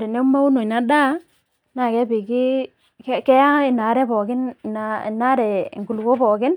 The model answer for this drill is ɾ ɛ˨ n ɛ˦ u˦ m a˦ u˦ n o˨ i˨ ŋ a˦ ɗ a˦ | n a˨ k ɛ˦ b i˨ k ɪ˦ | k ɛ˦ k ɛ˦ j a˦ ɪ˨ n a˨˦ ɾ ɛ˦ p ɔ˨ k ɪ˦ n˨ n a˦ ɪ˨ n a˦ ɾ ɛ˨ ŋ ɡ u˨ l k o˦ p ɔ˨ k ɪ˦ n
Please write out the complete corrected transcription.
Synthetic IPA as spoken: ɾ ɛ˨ n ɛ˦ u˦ m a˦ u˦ n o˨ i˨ n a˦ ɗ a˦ | n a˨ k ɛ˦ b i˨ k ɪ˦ | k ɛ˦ k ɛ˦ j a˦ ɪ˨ n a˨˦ ɾ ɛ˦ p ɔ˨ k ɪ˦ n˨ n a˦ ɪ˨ n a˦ ɾ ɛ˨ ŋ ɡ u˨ l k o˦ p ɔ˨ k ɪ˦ n